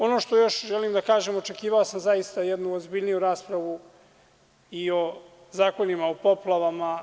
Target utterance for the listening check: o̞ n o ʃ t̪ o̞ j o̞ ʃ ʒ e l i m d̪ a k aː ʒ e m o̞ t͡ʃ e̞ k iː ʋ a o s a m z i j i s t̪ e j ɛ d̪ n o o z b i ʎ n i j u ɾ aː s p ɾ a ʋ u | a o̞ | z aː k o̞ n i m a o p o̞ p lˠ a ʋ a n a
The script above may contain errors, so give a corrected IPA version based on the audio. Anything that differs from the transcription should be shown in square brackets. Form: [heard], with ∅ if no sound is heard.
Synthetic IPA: o̞ n o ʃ t̪ o̞ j o̞ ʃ ʒ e l i m d̪ a k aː ʒ e m o̞ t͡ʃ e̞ k iː ʋ a o s a m z [a] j i s t̪ [a] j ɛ d̪ n [u] o z b i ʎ n i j u ɾ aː s p ɾ a ʋ u | [i] o̞ | z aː k o̞ n i m a o p o̞ p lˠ a ʋ a [m] a